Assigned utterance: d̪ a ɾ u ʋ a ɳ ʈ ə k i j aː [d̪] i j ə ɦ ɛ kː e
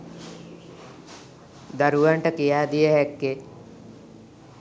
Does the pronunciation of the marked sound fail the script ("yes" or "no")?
no